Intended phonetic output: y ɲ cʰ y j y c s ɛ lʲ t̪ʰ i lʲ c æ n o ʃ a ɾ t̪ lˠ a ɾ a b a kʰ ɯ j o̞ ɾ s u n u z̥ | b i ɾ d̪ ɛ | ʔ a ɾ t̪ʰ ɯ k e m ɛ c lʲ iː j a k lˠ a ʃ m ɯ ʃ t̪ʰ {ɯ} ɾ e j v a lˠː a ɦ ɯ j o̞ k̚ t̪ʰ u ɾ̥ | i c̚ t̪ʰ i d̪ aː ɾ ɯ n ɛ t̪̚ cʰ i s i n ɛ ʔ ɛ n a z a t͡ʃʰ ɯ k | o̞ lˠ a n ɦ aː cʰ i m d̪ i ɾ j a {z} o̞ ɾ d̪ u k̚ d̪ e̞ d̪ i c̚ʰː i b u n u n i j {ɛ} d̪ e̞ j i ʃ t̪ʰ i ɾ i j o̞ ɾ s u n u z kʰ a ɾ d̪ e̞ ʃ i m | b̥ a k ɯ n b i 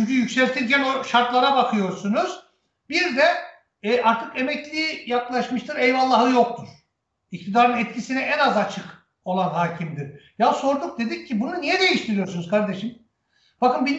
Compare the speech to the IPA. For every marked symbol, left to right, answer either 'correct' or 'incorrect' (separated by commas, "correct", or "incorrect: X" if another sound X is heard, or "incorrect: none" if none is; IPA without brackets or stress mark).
correct, incorrect: s, correct